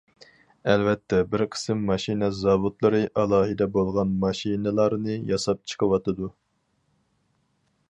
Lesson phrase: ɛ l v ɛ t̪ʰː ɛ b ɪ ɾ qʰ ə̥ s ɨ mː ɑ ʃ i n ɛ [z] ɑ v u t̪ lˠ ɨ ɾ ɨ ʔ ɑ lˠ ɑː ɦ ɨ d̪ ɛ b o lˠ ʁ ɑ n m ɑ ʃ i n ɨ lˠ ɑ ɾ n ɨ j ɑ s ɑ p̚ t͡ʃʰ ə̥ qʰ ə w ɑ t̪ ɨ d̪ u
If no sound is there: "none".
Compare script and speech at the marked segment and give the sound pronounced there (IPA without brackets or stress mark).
z